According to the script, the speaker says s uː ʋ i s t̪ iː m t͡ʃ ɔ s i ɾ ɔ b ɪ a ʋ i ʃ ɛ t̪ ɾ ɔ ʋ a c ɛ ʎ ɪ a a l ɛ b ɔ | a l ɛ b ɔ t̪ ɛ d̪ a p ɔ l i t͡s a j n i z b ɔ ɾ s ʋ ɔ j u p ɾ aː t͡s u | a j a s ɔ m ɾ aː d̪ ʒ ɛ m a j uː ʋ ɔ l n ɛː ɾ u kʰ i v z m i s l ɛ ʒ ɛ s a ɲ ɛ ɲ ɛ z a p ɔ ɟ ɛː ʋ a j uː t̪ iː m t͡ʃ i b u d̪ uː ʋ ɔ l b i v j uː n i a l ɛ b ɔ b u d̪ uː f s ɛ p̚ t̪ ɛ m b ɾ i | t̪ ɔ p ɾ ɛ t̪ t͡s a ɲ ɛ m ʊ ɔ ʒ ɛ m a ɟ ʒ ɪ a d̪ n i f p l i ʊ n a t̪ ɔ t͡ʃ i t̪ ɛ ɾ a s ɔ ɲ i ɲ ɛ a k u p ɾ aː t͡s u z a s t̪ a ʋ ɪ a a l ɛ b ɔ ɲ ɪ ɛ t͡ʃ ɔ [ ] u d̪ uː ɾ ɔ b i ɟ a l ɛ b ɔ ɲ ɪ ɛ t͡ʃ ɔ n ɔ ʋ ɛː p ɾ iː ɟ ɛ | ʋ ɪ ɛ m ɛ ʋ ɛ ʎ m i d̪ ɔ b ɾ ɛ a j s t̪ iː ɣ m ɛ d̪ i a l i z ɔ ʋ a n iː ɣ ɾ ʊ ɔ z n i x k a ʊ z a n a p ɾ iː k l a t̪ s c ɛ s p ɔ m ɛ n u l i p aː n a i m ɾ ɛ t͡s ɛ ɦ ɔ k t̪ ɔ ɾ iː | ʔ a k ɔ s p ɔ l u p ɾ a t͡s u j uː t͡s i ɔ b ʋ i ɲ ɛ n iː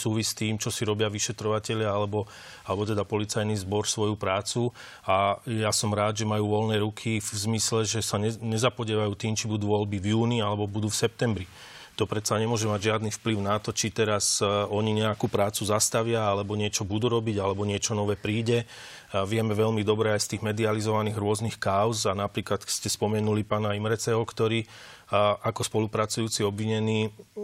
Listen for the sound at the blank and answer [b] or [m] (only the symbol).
b